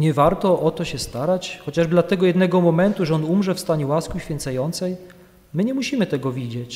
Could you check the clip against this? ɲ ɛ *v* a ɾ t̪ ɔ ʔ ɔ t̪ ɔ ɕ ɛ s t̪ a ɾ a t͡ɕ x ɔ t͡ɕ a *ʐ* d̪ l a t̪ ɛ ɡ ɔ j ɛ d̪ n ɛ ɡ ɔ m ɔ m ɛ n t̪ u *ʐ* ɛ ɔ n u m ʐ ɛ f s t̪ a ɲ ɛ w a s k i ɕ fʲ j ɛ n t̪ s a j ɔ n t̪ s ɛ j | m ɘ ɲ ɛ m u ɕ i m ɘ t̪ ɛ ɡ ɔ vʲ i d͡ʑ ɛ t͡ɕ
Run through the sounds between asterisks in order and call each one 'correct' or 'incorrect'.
correct, correct, correct

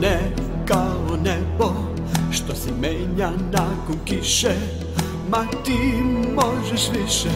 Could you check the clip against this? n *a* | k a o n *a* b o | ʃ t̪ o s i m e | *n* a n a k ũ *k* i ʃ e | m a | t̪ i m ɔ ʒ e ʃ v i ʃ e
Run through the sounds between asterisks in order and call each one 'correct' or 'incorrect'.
incorrect: ɛ, incorrect: ɛ, incorrect: ɲ, correct

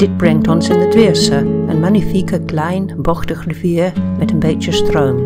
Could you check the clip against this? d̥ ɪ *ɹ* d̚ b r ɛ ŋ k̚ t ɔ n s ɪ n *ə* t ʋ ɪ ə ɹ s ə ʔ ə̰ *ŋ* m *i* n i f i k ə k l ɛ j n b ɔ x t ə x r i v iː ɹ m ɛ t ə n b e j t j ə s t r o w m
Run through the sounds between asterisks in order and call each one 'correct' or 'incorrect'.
incorrect: none, correct, incorrect: n, incorrect: a

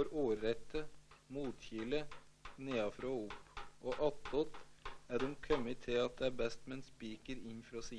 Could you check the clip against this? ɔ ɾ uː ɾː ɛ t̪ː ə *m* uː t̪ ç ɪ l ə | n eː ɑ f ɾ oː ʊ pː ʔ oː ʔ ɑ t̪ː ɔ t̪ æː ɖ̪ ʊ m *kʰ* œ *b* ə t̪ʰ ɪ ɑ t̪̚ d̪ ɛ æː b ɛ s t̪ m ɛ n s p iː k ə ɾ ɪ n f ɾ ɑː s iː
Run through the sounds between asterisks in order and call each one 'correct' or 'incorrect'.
correct, correct, incorrect: m

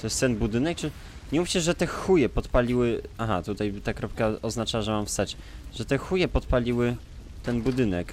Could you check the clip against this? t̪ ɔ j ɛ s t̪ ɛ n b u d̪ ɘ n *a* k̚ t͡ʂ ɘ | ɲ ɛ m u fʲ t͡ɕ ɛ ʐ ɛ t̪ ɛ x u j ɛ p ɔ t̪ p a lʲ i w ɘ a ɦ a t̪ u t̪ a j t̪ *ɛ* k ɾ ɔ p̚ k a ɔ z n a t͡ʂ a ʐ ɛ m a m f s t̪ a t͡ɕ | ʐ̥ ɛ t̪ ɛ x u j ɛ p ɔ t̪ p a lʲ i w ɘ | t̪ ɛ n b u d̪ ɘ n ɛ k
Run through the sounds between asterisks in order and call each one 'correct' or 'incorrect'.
incorrect: ɛ, incorrect: a

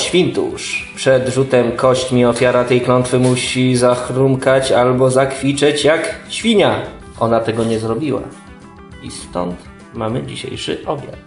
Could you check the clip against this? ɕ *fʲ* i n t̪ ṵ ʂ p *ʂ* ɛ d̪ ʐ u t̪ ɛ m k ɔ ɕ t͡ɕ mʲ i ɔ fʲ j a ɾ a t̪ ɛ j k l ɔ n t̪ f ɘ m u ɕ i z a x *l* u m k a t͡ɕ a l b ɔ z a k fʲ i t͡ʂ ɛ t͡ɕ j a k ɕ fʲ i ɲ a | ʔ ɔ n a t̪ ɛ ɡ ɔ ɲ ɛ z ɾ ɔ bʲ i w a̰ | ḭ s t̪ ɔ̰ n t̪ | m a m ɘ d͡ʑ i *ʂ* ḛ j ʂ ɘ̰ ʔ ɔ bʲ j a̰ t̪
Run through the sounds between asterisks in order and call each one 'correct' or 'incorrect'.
correct, correct, incorrect: ɾ, incorrect: ɕ

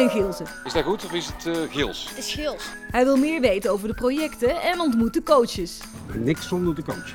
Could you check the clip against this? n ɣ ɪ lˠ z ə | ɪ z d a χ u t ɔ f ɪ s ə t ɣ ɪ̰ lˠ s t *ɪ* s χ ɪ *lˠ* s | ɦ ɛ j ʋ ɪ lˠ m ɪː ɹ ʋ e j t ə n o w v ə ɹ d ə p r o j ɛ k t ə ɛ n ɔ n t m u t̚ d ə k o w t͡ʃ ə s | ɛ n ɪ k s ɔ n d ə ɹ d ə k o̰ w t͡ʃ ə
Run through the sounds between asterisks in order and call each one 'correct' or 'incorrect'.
correct, correct

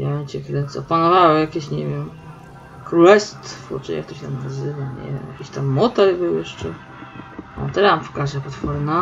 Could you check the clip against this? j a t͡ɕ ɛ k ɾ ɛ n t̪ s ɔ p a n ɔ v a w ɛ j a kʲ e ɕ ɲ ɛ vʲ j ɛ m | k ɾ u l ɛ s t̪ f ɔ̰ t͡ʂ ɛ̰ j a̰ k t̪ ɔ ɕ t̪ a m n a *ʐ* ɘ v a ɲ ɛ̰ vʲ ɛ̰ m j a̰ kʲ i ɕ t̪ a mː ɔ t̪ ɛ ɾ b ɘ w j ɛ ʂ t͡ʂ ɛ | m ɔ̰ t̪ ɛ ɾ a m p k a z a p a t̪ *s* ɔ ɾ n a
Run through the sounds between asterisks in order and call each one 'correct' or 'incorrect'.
incorrect: z, incorrect: f

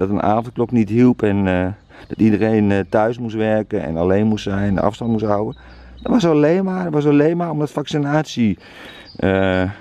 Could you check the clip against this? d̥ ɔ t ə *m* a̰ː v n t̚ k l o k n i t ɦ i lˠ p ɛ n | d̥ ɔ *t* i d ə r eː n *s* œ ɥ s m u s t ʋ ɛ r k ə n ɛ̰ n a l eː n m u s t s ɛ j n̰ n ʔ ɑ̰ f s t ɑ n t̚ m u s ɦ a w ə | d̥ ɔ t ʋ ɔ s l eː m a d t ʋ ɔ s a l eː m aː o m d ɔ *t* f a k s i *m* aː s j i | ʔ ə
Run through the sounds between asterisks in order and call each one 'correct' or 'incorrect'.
incorrect: n, correct, incorrect: t, correct, incorrect: n

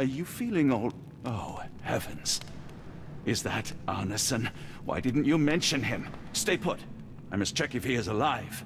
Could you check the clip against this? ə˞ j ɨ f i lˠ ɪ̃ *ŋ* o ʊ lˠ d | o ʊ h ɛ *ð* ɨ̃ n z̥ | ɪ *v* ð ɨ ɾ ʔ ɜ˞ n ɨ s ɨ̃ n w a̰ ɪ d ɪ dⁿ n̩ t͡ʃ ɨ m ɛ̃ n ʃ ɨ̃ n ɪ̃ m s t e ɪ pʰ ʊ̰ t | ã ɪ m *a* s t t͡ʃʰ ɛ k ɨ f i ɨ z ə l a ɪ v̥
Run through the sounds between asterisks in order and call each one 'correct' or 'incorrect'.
correct, incorrect: v, incorrect: z, incorrect: ʌ

